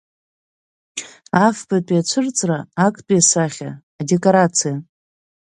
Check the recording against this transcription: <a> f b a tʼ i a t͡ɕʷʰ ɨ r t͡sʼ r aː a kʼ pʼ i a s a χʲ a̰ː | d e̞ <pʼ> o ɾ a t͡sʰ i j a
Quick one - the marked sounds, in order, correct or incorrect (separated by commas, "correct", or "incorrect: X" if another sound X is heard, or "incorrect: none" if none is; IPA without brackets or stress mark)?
correct, incorrect: kʼ